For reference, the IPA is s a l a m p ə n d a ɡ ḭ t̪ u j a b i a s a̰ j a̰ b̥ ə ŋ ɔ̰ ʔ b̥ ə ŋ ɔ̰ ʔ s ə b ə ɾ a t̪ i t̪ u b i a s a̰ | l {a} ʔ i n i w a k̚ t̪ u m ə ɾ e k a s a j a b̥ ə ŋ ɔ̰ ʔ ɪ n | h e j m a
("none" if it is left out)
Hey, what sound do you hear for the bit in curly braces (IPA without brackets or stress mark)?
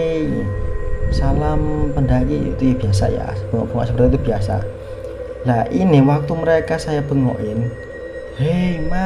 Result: a